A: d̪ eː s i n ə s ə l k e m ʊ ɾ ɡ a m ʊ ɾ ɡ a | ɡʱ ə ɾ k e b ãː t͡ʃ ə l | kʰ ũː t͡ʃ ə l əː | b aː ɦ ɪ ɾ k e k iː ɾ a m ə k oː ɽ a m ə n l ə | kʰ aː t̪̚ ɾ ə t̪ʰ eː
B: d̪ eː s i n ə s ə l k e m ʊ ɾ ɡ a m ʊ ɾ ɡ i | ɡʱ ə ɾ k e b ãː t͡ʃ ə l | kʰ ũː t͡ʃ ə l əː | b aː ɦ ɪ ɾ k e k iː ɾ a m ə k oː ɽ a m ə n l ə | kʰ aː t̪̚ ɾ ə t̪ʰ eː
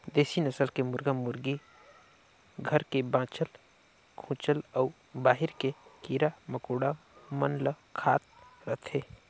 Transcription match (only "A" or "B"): B